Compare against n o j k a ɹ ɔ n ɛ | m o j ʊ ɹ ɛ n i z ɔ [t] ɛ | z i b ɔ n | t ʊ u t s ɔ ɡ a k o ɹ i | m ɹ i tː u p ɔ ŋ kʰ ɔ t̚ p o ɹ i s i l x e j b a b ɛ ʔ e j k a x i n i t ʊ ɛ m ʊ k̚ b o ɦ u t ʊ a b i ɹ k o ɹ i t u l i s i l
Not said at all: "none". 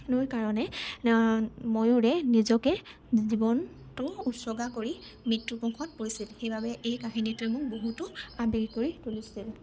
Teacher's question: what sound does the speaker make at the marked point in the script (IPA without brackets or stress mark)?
k